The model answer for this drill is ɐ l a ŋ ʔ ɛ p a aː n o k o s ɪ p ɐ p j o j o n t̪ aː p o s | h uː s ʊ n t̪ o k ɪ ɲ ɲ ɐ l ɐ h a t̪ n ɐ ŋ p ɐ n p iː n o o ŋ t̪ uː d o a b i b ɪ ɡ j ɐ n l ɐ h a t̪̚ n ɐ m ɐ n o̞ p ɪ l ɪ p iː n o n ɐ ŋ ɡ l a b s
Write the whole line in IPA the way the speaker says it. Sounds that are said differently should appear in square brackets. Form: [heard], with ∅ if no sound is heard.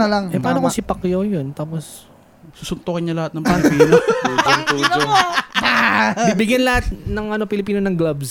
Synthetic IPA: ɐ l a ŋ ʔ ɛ p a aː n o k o s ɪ p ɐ [k] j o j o n t̪ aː p o s | [s] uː s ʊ n t̪ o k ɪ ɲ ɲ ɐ l ɐ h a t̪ n ɐ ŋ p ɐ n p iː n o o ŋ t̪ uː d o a b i b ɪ ɡ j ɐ n l ɐ h a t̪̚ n ɐ [ŋ] ɐ n o̞ p ɪ l ɪ p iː n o n ɐ ŋ ɡ l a b s